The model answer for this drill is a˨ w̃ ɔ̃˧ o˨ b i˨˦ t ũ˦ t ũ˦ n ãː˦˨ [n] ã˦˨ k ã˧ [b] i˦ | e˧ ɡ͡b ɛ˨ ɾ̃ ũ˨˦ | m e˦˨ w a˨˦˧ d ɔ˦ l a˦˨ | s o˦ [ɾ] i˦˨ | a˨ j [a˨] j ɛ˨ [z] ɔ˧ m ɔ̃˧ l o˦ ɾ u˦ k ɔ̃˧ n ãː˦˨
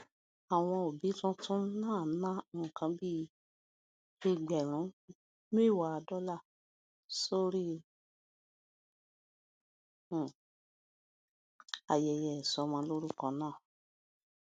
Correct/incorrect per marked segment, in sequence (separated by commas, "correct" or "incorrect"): correct, correct, correct, incorrect, incorrect